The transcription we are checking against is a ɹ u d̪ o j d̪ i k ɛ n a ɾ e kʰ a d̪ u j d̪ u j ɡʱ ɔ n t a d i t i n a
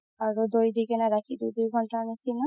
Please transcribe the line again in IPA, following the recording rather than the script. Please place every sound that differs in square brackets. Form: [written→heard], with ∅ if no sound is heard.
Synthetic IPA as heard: a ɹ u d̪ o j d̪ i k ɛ n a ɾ [e→a] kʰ [a→i] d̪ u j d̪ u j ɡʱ ɔ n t a [d→n] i [t→s] i n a